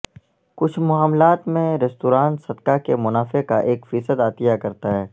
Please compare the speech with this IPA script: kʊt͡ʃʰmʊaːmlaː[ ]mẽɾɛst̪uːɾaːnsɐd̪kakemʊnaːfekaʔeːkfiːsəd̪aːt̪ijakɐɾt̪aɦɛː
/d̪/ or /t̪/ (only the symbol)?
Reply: t̪